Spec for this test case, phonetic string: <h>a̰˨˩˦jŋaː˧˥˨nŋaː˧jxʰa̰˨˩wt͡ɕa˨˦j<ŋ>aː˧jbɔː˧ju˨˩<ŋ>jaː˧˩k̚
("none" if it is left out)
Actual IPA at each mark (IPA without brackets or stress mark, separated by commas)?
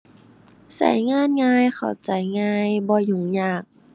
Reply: s, ŋ, ŋ